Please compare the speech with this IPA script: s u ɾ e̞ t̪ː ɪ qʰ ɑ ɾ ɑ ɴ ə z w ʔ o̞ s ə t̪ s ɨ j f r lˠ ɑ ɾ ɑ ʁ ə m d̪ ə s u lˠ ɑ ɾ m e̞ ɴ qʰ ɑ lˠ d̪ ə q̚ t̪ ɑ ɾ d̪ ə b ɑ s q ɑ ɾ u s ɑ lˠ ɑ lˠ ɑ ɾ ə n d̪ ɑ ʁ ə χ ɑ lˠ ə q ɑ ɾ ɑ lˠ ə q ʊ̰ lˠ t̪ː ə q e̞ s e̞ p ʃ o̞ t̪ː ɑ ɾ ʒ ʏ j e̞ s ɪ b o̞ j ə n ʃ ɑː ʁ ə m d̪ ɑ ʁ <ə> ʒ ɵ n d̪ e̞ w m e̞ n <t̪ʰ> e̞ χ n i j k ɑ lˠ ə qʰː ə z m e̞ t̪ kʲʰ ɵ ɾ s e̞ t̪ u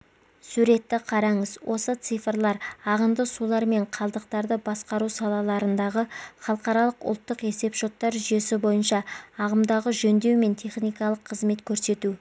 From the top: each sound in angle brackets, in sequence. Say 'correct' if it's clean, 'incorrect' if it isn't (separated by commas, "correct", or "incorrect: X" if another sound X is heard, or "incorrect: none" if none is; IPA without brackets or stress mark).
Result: correct, correct